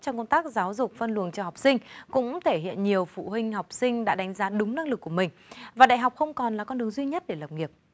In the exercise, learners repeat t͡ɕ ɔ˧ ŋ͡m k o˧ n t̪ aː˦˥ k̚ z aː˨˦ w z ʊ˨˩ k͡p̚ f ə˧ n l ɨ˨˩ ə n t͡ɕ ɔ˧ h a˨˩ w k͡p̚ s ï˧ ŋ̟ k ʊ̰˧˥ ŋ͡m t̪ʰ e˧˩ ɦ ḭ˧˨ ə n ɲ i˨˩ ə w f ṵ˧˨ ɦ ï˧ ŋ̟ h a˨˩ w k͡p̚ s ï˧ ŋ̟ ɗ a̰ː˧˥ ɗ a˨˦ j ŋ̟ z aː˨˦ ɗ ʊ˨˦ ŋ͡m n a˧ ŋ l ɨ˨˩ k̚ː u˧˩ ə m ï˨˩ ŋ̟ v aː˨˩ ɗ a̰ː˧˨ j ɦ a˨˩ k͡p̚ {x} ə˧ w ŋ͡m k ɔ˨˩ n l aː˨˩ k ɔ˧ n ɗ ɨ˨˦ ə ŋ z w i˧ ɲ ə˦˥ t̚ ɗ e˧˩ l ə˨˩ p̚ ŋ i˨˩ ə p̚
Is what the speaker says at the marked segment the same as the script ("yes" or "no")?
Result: yes